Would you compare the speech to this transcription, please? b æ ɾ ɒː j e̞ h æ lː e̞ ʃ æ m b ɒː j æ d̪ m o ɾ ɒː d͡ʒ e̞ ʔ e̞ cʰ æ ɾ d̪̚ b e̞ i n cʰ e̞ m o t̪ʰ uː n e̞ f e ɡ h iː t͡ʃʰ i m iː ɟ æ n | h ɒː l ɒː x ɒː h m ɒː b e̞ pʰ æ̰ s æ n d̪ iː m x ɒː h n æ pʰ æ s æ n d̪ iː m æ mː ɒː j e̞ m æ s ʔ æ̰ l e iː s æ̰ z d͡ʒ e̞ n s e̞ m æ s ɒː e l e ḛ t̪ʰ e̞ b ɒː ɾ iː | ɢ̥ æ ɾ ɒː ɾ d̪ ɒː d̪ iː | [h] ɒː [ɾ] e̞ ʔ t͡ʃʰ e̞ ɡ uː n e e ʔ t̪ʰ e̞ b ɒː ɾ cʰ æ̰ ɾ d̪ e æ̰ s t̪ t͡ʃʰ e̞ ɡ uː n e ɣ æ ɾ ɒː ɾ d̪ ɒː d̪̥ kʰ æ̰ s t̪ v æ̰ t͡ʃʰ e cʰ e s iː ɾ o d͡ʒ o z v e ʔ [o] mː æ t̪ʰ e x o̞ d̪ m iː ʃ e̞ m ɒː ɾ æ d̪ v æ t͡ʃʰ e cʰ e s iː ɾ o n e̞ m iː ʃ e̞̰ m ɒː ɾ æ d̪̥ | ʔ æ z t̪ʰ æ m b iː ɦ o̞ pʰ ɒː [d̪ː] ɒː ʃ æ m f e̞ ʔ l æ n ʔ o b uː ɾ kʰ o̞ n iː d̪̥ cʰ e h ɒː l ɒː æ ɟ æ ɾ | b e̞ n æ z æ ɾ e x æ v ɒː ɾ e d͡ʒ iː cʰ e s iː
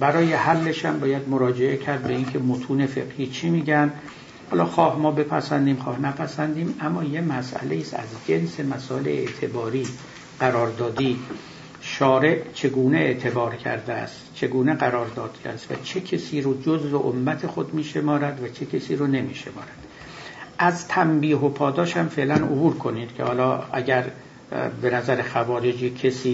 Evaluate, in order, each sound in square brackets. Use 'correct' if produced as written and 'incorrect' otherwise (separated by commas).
incorrect, correct, correct, incorrect